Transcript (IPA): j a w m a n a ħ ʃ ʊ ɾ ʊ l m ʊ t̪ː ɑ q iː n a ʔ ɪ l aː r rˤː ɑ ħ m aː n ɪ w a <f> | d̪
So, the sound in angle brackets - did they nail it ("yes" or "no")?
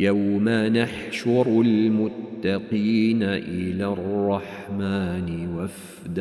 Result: yes